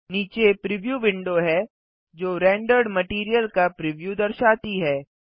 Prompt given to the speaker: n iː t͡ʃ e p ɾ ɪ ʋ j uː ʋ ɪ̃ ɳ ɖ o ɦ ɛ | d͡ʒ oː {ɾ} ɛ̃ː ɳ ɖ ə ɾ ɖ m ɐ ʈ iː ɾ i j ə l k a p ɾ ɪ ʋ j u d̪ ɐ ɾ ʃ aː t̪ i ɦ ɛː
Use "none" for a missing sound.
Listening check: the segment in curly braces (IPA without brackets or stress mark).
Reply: ɾ